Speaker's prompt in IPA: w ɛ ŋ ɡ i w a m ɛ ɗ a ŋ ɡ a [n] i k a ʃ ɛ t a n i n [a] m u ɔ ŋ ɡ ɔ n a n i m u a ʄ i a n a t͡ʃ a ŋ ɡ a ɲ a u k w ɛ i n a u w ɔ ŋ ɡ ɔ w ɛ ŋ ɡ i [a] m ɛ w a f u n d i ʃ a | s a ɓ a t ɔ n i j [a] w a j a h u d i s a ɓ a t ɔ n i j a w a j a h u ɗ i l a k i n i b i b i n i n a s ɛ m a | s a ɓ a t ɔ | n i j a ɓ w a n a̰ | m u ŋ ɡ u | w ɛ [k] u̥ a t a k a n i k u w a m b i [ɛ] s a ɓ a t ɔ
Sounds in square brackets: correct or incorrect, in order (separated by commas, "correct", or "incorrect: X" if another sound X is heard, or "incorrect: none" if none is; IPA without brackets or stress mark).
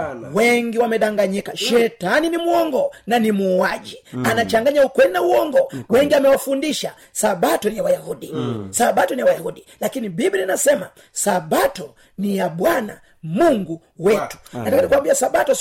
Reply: incorrect: ɲ, incorrect: i, correct, correct, incorrect: t, incorrect: a